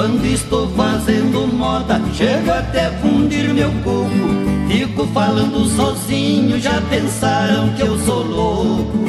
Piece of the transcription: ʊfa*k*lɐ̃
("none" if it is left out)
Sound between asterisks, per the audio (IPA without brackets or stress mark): none